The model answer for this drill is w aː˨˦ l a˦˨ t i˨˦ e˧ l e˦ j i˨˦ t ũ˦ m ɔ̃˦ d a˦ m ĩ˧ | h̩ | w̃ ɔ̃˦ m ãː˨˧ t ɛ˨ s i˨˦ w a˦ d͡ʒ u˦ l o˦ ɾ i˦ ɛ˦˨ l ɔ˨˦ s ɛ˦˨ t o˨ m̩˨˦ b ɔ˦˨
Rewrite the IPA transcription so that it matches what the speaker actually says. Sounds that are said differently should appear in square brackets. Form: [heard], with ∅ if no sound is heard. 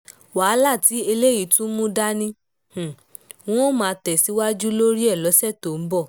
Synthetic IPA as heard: w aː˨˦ l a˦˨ t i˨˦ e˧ l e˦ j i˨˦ t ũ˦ m [ũ˦] d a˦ [n] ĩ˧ | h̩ | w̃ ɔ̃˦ m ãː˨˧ t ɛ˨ s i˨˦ w a˦ d͡ʒ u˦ l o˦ ɾ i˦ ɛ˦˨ l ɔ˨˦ s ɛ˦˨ t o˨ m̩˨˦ b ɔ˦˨

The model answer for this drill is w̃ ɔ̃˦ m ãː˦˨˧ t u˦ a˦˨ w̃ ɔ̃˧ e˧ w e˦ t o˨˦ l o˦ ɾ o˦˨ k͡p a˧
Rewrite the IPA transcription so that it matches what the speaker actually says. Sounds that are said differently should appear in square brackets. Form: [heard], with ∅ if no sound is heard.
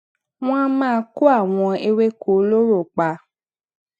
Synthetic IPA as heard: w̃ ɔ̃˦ m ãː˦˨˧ [k] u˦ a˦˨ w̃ ɔ̃˧ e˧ w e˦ [k] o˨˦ l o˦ ɾ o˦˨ k͡p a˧

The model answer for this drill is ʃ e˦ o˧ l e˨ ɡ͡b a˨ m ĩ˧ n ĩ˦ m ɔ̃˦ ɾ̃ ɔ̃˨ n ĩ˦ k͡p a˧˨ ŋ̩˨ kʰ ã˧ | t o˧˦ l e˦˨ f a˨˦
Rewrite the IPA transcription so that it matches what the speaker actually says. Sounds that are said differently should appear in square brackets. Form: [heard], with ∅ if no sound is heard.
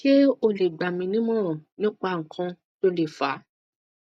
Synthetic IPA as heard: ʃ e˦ o˧ l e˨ ɡ͡b a˨ m ĩ˧ n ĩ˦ m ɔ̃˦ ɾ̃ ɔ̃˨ n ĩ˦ k͡p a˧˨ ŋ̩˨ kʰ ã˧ | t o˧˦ l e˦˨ f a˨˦

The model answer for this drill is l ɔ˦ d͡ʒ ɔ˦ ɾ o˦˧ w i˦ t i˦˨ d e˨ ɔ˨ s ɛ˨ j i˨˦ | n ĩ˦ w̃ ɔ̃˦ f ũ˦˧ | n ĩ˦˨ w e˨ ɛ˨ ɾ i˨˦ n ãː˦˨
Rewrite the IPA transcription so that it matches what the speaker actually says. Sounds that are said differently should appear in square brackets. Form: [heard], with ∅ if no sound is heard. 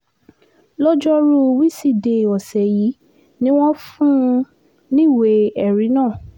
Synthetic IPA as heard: l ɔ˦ d͡ʒ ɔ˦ ɾ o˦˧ w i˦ [s] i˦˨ d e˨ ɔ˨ s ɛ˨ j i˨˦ | n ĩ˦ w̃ ɔ̃˦ f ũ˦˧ | n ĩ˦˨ w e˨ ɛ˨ ɾ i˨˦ n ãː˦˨

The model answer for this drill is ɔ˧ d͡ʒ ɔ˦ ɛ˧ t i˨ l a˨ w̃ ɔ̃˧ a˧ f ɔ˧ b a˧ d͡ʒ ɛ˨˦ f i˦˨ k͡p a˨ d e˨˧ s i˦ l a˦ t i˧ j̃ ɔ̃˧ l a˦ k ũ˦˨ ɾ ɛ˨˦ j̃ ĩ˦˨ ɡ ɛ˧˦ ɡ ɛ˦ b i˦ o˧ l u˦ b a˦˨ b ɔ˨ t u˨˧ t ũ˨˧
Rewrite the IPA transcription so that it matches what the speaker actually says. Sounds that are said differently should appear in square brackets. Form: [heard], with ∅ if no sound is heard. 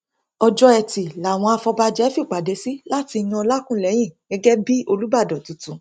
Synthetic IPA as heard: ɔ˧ d͡ʒ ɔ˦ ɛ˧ t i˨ l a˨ w̃ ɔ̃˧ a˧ f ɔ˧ b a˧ d͡ʒ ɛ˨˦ f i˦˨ k͡p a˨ d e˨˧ s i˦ l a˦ t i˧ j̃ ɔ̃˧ l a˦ k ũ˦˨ [l] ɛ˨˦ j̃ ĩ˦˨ ɡ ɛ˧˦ ɡ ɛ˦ b i˦ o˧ l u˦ b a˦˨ [d] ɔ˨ t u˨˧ t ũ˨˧

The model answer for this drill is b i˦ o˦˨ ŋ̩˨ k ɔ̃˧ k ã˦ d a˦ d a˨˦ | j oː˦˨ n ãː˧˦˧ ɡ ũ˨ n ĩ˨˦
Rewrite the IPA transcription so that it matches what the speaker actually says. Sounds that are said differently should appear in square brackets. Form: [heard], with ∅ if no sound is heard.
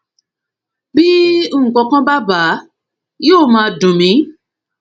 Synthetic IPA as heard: b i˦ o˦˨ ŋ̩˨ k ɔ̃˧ k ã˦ [b] a˦ [b] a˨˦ | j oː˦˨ [m] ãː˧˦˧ [d] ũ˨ [m] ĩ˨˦

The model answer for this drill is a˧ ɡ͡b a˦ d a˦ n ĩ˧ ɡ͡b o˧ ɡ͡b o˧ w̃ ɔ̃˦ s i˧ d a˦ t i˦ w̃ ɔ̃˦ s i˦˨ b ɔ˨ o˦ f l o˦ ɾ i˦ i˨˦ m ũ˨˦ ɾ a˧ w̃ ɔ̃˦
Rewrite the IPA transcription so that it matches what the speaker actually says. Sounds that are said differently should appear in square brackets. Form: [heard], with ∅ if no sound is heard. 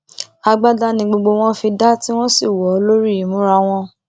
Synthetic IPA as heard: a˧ ɡ͡b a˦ d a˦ n ĩ˧ ɡ͡b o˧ ɡ͡b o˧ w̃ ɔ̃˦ [f] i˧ d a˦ t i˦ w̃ ɔ̃˦ s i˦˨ [w] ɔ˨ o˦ [∅] l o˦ ɾ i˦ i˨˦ m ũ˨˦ ɾ a˧ w̃ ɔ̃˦

